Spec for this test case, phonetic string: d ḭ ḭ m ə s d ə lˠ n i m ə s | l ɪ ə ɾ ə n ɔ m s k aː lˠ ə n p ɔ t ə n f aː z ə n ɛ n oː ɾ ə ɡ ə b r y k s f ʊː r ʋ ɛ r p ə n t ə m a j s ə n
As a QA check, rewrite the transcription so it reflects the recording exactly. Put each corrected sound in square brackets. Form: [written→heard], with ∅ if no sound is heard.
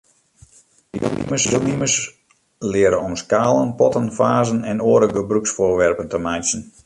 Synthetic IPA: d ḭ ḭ m ə s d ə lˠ n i m ə s | l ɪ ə ɾ ə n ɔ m s k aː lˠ ə n p ɔ t ə n f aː z ə n ɛ n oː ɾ ə ɡ ə b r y k s f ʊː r ʋ ɛ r p ə n t ə m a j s ə n